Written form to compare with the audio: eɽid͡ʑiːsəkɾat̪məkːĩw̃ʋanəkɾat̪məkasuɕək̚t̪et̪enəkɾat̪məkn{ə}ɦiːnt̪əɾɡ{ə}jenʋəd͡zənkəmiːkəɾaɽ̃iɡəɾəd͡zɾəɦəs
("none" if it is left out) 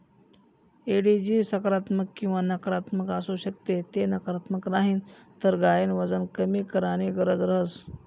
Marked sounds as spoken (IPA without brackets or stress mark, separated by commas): a, a